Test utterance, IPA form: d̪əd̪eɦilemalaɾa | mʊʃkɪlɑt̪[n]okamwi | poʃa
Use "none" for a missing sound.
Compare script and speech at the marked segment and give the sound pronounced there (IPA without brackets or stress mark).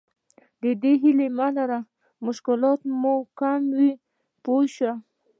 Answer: m